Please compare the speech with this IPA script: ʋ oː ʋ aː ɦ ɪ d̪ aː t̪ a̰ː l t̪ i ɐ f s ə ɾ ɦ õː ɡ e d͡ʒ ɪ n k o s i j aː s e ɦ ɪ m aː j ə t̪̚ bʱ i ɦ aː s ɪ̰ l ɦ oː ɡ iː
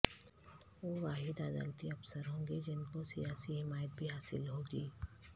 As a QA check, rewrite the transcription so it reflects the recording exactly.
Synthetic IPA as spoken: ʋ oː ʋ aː ɦ ɪ d̪ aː d̪ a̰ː l t̪ i ɐ f s ə ɾ ɦ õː ɡ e d͡ʒ ɪ n k o s i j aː s i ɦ ɪ m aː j ə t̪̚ bʱ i ɦ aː s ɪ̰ l ɦ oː ɡ iː